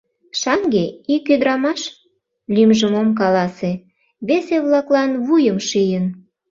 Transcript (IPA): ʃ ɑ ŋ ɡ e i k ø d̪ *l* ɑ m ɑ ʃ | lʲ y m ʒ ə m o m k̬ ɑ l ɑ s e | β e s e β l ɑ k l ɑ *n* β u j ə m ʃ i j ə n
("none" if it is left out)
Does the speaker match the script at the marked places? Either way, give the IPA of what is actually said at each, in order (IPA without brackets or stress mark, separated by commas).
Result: ɾ, n